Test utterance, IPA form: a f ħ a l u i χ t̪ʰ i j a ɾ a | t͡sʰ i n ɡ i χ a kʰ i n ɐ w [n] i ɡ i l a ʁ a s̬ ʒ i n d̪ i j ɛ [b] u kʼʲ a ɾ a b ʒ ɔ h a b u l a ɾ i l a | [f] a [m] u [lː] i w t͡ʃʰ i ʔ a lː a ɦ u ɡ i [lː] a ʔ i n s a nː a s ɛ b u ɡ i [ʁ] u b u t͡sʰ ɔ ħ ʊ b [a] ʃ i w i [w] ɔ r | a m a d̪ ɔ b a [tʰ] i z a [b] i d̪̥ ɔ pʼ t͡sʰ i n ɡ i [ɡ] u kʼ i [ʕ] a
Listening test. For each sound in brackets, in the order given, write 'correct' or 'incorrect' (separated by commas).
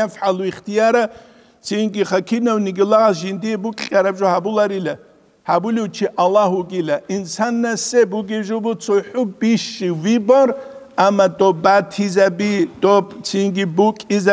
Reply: correct, correct, incorrect, incorrect, incorrect, incorrect, incorrect, incorrect, incorrect, correct, correct, incorrect, incorrect